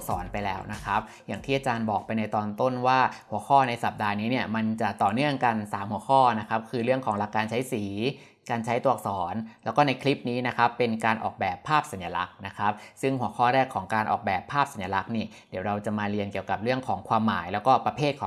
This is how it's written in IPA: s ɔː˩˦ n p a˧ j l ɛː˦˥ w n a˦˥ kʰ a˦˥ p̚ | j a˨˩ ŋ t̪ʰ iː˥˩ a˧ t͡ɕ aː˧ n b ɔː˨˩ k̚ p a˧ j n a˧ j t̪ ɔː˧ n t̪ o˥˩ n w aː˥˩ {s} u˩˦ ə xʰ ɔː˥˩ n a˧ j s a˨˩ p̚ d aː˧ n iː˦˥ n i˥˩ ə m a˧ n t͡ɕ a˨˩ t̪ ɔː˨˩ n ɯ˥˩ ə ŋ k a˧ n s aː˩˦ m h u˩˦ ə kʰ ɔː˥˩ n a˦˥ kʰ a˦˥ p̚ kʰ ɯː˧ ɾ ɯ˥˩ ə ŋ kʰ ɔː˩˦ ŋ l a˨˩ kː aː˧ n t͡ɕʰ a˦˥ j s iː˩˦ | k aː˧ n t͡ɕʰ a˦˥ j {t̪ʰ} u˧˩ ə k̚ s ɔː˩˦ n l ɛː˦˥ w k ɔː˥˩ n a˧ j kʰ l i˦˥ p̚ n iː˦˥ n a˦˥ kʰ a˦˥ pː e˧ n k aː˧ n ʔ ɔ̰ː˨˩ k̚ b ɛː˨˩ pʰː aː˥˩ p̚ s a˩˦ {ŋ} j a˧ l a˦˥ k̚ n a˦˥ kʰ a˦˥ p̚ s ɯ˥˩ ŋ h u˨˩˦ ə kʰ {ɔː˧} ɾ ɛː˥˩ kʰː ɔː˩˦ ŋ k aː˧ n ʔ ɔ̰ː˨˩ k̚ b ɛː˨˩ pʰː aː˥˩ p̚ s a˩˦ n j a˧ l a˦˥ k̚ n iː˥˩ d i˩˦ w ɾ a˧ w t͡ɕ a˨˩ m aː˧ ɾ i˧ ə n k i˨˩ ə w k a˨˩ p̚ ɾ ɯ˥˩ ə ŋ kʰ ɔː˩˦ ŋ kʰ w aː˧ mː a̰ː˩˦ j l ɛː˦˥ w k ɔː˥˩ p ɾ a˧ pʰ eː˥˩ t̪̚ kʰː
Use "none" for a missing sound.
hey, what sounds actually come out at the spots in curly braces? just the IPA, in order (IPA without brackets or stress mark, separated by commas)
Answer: h, t̪, n, ɔː˥˩